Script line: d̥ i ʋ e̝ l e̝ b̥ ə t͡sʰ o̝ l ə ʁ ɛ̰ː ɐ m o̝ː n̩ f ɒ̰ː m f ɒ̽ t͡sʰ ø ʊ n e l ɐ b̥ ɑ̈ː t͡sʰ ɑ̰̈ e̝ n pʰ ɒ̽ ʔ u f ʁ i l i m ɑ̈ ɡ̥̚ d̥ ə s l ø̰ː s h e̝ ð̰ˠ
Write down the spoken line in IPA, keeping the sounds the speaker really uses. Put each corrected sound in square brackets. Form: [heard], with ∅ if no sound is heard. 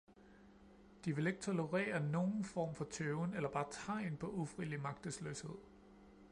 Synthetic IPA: d̥ i ʋ e̝ l e̝ [ɡ̥] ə t͡sʰ o̝ l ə ʁ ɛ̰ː ɐ [n] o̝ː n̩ f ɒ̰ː m f ɒ̽ t͡sʰ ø ʊ n e l ɐ b̥ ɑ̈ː t͡sʰ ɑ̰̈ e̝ n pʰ ɒ̽ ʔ u f ʁ i l i m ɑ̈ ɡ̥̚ d̥ ə s l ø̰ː s h e̝ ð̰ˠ